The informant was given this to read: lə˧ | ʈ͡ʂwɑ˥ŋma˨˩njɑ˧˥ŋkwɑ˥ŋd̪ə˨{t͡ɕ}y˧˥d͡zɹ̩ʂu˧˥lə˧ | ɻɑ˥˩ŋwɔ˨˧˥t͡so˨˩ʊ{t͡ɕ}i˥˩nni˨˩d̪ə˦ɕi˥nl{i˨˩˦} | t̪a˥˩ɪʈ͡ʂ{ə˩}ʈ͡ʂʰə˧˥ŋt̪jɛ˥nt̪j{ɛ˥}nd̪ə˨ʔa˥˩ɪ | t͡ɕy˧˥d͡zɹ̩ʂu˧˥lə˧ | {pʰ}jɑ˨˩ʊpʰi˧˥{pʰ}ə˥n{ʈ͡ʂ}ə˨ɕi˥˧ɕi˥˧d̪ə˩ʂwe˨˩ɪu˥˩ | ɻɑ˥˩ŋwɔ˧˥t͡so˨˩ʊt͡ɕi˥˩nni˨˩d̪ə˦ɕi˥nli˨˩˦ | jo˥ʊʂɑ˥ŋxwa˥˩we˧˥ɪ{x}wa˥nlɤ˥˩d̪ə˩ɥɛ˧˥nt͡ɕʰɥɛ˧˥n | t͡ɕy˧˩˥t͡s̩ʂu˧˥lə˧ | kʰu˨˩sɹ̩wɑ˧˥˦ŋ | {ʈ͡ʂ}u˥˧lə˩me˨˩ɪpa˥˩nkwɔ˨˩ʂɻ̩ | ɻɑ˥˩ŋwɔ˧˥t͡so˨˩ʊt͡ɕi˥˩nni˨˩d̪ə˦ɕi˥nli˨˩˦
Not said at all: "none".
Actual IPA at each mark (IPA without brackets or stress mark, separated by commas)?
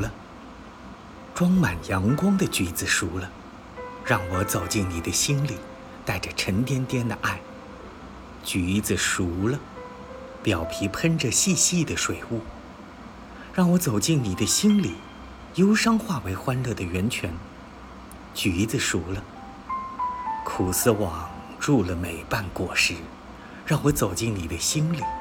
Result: t͡ɕ, t͡ɕ, i˨˩, ə˩, ɛ˥, p, pʰ, ʈ͡ʂ, x, ʈ͡ʂ